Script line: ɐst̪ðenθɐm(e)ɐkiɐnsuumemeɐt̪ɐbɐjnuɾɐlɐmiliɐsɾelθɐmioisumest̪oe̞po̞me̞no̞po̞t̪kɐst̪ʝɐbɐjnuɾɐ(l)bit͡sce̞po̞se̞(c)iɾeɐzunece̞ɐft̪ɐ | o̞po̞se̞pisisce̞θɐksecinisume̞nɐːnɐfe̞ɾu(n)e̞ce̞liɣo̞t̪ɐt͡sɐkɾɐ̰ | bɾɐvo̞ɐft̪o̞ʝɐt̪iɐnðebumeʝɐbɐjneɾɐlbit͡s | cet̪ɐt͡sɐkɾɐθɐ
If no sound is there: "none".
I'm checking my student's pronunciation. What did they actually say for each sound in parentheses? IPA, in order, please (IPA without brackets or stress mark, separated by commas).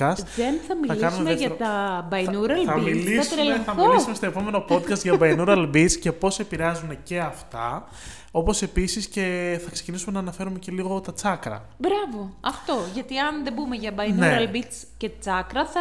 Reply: i, l, p, m